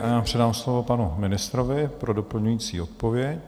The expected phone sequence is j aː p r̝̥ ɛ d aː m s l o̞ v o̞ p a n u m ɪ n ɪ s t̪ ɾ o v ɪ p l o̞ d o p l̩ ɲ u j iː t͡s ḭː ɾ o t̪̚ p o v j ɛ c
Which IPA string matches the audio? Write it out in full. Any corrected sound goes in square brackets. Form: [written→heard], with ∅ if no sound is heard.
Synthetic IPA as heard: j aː p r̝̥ ɛ d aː m s l o̞ v o̞ p a n u m ɪ n ɪ s t̪ ɾ o v ɪ p [l→ɾ] o̞ d o p l̩ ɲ u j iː t͡s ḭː [ɾ→∅] o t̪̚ p o v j ɛ c

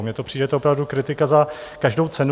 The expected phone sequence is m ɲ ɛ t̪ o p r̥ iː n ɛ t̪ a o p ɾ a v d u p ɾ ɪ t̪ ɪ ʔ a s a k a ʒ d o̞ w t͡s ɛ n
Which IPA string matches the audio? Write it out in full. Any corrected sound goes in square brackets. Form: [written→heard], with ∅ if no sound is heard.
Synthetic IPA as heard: m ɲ ɛ t̪ o p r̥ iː [n→d] ɛ t̪ [a→ɛ] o p ɾ a v d u [p→k] ɾ ɪ t̪ ɪ [ʔ→k] a [s→z] a k a ʒ d o̞ w t͡s ɛ n

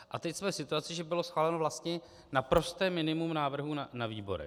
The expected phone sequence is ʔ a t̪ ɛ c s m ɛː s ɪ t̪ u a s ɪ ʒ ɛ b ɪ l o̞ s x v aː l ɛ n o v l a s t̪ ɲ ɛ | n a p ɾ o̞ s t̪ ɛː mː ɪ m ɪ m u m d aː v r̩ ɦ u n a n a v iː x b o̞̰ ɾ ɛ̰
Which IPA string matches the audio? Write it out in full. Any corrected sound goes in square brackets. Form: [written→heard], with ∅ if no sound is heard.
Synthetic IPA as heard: ʔ a t̪ ɛ c s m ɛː s ɪ t̪ u a [s→t͡s] ɪ ʒ ɛ b ɪ l o̞ s x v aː l ɛ n o v l a s t̪ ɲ ɛ | n a p ɾ o̞ s t̪ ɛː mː ɪ [m→n] ɪ m u m [d→n] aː v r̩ ɦ u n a n a v iː [x→∅] b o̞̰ ɾ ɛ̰

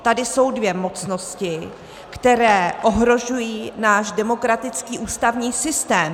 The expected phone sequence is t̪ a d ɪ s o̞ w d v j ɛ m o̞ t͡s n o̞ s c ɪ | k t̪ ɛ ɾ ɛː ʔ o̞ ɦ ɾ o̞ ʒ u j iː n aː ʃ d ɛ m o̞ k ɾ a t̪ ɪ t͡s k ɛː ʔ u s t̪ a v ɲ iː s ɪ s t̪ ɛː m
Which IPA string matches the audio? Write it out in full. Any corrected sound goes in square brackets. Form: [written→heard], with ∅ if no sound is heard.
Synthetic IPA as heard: t̪ a d ɪ s o̞ w d v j ɛ m o̞ t͡s n o̞ s c ɪ | k t̪ ɛ ɾ ɛː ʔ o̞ ɦ ɾ o̞ ʒ u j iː n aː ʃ d ɛ m o̞ k ɾ a t̪ ɪ t͡s k [ɛː→iː] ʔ [u→uː] s t̪ a v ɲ iː s ɪ s t̪ ɛː m

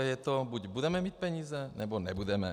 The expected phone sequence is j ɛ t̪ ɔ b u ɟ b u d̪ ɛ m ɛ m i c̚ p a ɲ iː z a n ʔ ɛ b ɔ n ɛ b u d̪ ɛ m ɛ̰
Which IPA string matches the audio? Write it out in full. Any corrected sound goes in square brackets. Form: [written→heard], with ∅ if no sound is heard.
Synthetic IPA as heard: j ɛ t̪ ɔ b u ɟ b u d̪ ɛ m ɛ m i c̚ p [a→ɛ] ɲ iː z [a→ɛ] n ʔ ɛ b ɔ n ɛ b u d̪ ɛ m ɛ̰

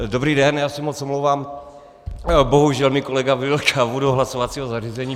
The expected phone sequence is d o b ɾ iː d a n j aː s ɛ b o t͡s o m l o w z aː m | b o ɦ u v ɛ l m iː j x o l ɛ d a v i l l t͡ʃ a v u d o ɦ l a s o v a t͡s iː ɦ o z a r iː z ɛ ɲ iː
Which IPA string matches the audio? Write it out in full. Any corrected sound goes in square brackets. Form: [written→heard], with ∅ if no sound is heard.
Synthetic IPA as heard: d o b ɾ iː d [a→ɛ] n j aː s ɛ [b→m] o t͡s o m l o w [z→v] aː m | b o ɦ u [v→ʒ] ɛ l m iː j [x→k] o l ɛ [d→ɡ] a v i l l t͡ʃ a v u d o ɦ l a s o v a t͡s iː ɦ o z a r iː z ɛ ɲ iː

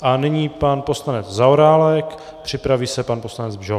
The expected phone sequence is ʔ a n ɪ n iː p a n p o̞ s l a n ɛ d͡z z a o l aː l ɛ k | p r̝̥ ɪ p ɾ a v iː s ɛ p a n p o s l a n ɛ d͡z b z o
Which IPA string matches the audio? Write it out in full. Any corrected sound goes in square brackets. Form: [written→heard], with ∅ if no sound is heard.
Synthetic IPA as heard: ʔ a n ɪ [n→ɲ] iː p a n p o̞ s l a n ɛ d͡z z a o [l→ɾ] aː l ɛ k | p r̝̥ ɪ p ɾ a v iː s ɛ p a n p o s l a n ɛ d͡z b [z→ʒ] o

